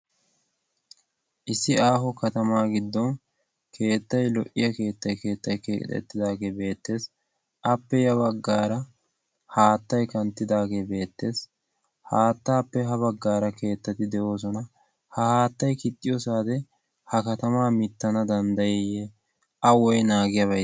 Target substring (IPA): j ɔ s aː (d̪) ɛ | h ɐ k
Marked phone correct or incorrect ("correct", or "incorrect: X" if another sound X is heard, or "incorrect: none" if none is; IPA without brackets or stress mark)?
correct